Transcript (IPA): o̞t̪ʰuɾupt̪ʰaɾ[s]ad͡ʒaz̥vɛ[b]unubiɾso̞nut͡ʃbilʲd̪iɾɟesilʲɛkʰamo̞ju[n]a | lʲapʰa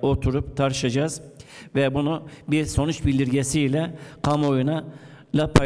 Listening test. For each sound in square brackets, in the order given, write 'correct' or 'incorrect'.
incorrect: ʃ, correct, correct

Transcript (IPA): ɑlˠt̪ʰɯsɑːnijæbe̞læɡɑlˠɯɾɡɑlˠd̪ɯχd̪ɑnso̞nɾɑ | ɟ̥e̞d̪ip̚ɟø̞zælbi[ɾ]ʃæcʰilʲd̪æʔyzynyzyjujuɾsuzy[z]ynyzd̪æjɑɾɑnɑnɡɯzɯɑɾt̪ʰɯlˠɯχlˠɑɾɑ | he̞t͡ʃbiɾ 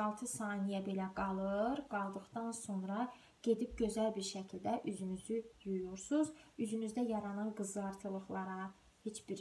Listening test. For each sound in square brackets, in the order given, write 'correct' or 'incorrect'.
correct, correct

